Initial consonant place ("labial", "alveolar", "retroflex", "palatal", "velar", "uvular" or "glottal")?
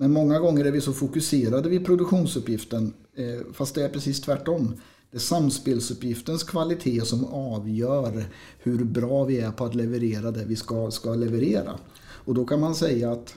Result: labial